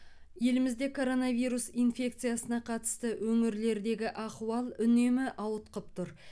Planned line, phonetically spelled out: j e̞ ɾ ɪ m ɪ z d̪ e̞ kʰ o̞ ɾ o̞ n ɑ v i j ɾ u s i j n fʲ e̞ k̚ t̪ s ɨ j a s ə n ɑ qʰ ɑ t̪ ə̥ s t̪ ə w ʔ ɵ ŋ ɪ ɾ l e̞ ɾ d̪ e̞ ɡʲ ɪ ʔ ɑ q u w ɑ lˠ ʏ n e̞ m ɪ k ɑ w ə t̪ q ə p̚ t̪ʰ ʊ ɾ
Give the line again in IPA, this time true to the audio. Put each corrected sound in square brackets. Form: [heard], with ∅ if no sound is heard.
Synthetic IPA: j e̞ [l] ɪ m ɪ z d̪ e̞ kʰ o̞ ɾ o̞ n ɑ v i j ɾ u s i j n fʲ e̞ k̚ t̪ s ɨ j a s ə n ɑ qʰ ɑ t̪ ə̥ s t̪ ə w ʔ ɵ ŋ ɪ ɾ l e̞ ɾ d̪ e̞ ɡʲ ɪ ʔ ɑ q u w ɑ lˠ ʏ n e̞ m ɪ [ʔ] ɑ w ə t̪ q ə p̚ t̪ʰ ʊ ɾ

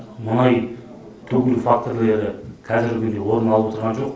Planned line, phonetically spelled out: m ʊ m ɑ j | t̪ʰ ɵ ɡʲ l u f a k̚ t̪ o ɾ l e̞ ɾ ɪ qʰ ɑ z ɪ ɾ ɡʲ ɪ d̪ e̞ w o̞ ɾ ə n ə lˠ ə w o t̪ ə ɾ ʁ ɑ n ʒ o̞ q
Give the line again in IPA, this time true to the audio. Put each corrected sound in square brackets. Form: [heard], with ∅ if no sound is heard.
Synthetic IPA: m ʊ [n] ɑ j | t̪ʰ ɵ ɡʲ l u f a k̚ t̪ o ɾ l e̞ ɾ ɪ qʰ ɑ z ɪ ɾ ɡʲ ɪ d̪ e̞ w o̞ ɾ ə n [ɑ] lˠ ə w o t̪ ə ɾ ʁ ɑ n ʒ o̞ q

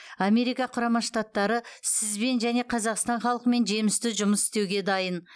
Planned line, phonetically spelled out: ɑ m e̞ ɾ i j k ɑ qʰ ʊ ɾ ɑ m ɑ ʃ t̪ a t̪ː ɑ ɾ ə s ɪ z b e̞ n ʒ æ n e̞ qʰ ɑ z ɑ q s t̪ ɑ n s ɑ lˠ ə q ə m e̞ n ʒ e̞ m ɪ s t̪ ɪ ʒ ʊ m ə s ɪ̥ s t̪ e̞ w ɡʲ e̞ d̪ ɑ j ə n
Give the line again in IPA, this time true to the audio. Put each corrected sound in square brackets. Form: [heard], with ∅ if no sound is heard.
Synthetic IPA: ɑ m e̞ ɾ i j k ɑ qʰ ʊ ɾ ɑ m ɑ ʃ t̪ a t̪ː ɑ ɾ ə s ɪ z b e̞ n ʒ æ n e̞ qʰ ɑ z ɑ q s t̪ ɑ n [χ] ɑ lˠ ə q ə m e̞ n ʒ e̞ m ɪ s t̪ ɪ ʒ ʊ m ə s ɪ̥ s t̪ e̞ w ɡʲ e̞ d̪ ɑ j ə n

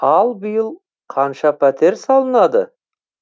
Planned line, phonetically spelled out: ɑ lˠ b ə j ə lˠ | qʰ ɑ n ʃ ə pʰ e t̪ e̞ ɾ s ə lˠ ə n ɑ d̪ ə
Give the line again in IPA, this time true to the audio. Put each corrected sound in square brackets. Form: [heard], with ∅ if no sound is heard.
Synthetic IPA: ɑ lˠ b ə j ə lˠ | qʰ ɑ n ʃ [ɑ] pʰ [æ] t̪ e̞ ɾ s [ɑ] lˠ ə n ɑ d̪ ə

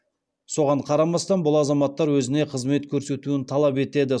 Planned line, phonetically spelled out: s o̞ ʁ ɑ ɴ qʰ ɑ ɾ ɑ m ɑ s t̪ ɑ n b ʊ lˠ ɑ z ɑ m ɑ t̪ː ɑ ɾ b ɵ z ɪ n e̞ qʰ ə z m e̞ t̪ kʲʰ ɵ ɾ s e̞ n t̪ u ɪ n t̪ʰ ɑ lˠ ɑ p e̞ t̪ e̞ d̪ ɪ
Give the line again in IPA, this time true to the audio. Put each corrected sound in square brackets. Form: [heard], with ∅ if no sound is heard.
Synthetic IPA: s o̞ ʁ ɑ ɴ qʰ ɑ ɾ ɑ m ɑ s t̪ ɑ n b ʊ lˠ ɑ z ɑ m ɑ t̪ː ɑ ɾ [w] ɵ z ɪ n e̞ qʰ ə z m e̞ t̪ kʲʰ ɵ ɾ s e̞ [∅] t̪ u ɪ n t̪ʰ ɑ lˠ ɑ p e̞ t̪ e̞ d̪ ɪ

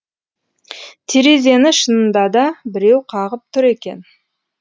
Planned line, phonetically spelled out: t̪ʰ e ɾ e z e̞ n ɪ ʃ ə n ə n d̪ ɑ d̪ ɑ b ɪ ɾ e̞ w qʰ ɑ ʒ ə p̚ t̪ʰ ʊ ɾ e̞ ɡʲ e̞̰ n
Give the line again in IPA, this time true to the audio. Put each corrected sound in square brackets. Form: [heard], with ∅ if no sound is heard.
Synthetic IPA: t̪ʰ e ɾ e z e̞ n ɪ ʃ ə n ə n d̪ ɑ d̪ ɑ b ɪ ɾ e̞ w qʰ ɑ [ʁ] ə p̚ t̪ʰ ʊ ɾ e̞ [kʲ] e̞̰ n

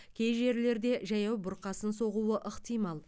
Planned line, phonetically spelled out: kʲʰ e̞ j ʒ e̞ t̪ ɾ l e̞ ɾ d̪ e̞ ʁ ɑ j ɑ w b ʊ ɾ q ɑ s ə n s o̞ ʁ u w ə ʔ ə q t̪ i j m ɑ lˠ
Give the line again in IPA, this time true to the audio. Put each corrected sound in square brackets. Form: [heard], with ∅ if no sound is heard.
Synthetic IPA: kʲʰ e̞ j ʒ e̞ [∅] ɾ l e̞ ɾ d̪ e̞ [ʒ] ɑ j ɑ w b ʊ ɾ q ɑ s ə n s o̞ ʁ u w ə ʔ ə q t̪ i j m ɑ lˠ

